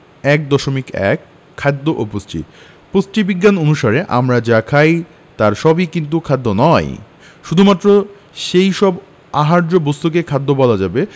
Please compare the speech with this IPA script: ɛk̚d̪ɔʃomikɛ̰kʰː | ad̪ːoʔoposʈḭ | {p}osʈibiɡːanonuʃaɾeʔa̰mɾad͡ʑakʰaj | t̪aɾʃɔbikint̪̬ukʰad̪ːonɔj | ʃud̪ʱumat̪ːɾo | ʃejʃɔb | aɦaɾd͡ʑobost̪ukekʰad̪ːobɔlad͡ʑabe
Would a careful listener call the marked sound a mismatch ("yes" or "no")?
no